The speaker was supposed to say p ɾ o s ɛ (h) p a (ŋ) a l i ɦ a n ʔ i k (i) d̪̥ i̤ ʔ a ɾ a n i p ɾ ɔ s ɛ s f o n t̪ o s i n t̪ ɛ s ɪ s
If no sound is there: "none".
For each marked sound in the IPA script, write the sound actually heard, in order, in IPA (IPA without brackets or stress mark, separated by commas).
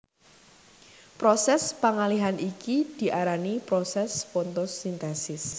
s, ŋ, i